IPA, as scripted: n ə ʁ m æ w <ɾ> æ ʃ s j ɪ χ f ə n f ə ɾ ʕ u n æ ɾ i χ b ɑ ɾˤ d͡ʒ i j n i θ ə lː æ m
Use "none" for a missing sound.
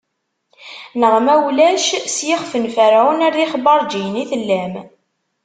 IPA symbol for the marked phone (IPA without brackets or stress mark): l